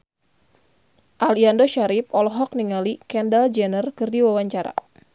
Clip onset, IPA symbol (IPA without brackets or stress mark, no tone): ʔ